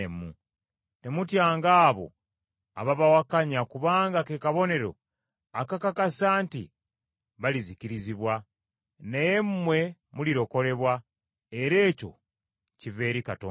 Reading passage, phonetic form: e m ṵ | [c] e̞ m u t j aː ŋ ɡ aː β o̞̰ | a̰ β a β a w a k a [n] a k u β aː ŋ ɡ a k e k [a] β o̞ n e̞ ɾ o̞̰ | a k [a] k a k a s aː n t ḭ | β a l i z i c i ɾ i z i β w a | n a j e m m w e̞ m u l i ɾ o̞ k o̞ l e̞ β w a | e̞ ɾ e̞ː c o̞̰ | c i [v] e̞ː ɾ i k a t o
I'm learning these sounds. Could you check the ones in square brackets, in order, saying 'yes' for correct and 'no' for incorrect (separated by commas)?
no, no, yes, yes, yes